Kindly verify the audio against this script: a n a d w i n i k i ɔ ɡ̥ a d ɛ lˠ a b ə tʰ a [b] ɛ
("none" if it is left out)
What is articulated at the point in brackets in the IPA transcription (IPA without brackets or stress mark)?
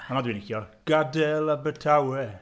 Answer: w